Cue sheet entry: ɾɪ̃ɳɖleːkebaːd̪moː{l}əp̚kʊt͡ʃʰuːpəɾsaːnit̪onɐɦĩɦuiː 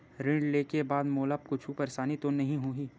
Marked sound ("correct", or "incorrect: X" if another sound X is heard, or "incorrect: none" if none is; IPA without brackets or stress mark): correct